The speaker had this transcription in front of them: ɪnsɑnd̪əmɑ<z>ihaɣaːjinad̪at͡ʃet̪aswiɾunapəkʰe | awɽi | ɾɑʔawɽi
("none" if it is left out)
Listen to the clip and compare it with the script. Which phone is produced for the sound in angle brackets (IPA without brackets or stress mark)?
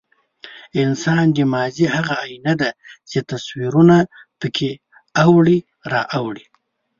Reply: z